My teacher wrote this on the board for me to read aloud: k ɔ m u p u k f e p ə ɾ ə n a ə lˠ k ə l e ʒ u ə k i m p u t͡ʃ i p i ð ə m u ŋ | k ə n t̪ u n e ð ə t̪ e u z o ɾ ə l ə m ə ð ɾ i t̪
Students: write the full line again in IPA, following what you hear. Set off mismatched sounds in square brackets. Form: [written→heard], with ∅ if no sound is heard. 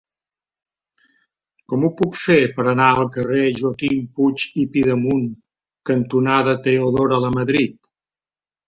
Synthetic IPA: k ɔ m u p u k f e p ə ɾ ə n a ə lˠ k ə [l→r] e ʒ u ə k i m p u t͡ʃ i p i ð ə m u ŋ | k ə n t̪ u n [e→a] ð ə t̪ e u [z→ð] o ɾ ə l ə m ə ð ɾ i t̪